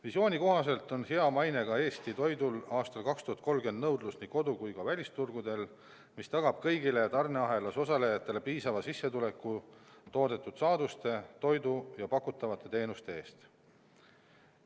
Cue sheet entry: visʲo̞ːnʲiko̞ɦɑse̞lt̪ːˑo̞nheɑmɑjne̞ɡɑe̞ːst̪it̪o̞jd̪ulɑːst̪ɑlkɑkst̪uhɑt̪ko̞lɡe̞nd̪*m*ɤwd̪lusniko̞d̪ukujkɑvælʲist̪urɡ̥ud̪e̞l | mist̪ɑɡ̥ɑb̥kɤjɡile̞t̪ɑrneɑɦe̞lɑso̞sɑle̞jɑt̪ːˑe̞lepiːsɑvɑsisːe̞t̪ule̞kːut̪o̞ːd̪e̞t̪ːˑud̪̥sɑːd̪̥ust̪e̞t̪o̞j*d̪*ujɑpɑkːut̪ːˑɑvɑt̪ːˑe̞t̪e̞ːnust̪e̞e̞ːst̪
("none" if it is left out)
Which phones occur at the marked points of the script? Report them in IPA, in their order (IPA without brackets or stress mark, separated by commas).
n, d̪